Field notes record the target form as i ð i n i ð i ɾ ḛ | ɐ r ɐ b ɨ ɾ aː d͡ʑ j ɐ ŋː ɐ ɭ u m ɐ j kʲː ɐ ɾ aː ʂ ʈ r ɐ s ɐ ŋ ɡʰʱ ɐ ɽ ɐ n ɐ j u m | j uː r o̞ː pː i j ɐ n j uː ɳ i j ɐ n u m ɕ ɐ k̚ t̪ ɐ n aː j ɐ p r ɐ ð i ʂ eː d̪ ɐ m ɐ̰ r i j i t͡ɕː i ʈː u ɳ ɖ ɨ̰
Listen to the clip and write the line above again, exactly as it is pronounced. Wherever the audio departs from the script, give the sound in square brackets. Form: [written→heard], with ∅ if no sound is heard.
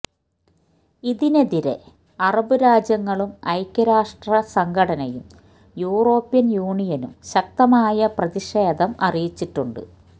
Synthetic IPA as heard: i ð i n [i→e] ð i ɾ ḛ | ɐ r ɐ b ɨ ɾ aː d͡ʑ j ɐ ŋː ɐ ɭ u m ɐ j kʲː ɐ ɾ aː ʂ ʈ r ɐ s ɐ ŋ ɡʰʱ ɐ ɽ ɐ n ɐ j u m | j uː r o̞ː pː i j ɐ n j uː ɳ i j ɐ n u m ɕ ɐ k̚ t̪ ɐ [n→m] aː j ɐ p r ɐ ð i ʂ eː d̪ ɐ m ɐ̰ r i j i t͡ɕː i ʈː u ɳ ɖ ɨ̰

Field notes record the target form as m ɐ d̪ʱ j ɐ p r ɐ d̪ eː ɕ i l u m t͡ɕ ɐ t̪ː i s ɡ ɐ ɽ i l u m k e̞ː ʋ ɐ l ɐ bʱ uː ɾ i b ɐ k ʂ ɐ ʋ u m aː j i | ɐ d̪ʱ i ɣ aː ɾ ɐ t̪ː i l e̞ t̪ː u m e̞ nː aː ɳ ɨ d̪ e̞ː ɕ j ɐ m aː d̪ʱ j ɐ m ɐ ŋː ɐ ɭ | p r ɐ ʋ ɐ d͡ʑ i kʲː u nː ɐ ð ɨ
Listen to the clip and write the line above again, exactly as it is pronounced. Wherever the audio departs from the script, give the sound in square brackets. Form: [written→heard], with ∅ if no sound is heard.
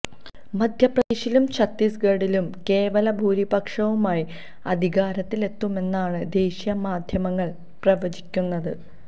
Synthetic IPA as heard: m ɐ d̪ʱ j ɐ p r ɐ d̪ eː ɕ i l u m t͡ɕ ɐ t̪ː i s ɡ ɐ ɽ i l u m k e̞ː ʋ ɐ l ɐ bʱ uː ɾ i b ɐ k ʂ ɐ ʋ u m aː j i | ɐ d̪ʱ i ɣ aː ɾ ɐ t̪ː i l e̞ t̪ː u m e̞ nː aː ɳ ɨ d̪ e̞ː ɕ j ɐ m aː d̪ʱ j ɐ m ɐ ŋː ɐ ɭ | p r ɐ ʋ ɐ d͡ʑ i kʲː u nː ɐ ð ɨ

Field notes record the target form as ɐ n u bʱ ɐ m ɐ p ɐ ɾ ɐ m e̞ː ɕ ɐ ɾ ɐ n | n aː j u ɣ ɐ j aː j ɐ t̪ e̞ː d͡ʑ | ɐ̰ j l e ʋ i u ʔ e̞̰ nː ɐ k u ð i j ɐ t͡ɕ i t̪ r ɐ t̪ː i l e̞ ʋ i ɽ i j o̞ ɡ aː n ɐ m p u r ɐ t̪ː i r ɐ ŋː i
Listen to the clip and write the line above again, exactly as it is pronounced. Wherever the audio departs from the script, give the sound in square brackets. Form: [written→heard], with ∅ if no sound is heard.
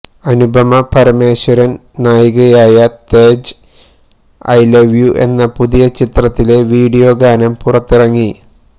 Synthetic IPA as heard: ɐ n u bʱ ɐ m ɐ p ɐ ɾ ɐ m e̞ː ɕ ɐ ɾ ɐ n | n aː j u ɣ ɐ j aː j ɐ t̪ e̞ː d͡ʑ | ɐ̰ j l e ʋ [i→j] u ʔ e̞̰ nː ɐ [k→p] u ð i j ɐ t͡ɕ i t̪ r ɐ t̪ː i l e̞ ʋ [i→iː] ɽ i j o̞ ɡ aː n ɐ m p u r ɐ t̪ː i r ɐ ŋː i

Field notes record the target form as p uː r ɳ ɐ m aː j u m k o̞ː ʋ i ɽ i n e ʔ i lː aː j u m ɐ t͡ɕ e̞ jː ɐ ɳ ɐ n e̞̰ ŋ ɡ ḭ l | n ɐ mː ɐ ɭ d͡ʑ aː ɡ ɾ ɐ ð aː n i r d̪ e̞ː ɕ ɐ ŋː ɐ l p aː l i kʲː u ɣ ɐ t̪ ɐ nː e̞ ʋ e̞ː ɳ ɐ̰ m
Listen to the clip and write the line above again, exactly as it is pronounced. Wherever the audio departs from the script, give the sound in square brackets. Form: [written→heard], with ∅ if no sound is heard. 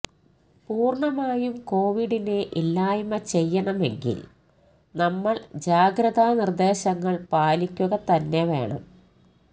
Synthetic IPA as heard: p uː r ɳ ɐ m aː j u m k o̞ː ʋ i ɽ i n e ʔ i lː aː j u m ɐ t͡ɕ e̞ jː ɐ ɳ ɐ [n→m] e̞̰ ŋ ɡ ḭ l | n ɐ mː ɐ ɭ d͡ʑ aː ɡ ɾ ɐ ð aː n i r d̪ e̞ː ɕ ɐ ŋː ɐ [l→ɭ] p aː l i kʲː u ɣ ɐ t̪ ɐ nː e̞ ʋ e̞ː ɳ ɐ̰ m

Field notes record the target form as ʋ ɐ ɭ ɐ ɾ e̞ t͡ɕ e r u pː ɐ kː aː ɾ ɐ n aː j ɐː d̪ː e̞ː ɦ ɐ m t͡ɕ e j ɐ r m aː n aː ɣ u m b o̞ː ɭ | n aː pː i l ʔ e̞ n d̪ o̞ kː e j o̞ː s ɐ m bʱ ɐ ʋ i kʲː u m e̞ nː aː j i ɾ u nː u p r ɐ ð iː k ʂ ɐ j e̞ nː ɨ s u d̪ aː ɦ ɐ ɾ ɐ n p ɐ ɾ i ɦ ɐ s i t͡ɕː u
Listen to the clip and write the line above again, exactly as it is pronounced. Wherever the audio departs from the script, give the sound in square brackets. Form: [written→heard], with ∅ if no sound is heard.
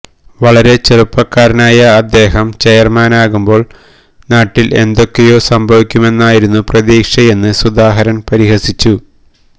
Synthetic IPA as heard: ʋ ɐ ɭ ɐ ɾ e̞ t͡ɕ e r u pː ɐ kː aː ɾ ɐ n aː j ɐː d̪ː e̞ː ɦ ɐ m t͡ɕ e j ɐ r m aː n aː ɣ u m b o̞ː ɭ | n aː [pː→ʈː] i l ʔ e̞ n d̪ o̞ kː e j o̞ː s ɐ m bʱ ɐ ʋ i kʲː u m e̞ nː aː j i ɾ u nː u p r ɐ ð iː k ʂ ɐ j e̞ nː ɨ s u d̪ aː ɦ ɐ ɾ ɐ n p ɐ ɾ i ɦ ɐ s i t͡ɕː u

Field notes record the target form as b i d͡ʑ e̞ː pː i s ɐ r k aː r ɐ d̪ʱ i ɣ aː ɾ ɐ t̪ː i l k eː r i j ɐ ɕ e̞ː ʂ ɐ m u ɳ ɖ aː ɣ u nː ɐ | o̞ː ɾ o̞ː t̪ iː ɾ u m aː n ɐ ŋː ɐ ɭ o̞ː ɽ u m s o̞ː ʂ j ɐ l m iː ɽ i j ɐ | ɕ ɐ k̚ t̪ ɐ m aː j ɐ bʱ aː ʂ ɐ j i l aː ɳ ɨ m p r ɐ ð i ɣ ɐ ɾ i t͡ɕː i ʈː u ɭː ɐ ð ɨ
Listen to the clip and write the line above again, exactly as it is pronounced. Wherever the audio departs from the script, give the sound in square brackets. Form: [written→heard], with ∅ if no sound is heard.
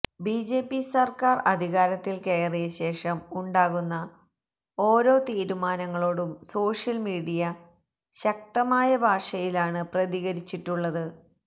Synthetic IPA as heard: b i d͡ʑ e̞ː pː i s ɐ r k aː r ɐ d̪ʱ i ɣ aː ɾ ɐ t̪ː i l k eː r i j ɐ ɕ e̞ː ʂ ɐ m u ɳ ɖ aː ɣ u nː ɐ | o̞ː ɾ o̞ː t̪ iː ɾ u m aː n ɐ ŋː ɐ ɭ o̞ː ɽ u m s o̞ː ʂ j ɐ l m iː ɽ i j ɐ | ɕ ɐ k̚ t̪ ɐ m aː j ɐ bʱ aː ʂ ɐ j i l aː ɳ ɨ [m→∅] p r ɐ ð i ɣ ɐ ɾ i t͡ɕː i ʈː u ɭː ɐ ð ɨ

